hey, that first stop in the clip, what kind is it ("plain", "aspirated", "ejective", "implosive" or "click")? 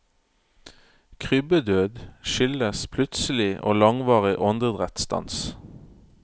aspirated